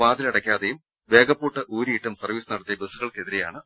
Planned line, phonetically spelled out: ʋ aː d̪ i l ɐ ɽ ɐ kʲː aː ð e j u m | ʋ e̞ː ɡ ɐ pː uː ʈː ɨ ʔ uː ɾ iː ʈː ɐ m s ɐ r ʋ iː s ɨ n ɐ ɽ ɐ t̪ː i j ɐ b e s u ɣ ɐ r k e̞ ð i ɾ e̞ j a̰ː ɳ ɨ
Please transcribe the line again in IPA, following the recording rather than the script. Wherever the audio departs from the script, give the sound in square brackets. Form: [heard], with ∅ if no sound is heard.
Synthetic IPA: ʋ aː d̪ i l ɐ ɽ ɐ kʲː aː ð e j u m | ʋ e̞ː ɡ ɐ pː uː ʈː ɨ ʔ uː ɾ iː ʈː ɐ m s ɐ r ʋ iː s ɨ n ɐ ɽ ɐ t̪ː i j ɐ b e s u ɣ ɐ [ɭ] k e̞ ð i ɾ e̞ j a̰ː ɳ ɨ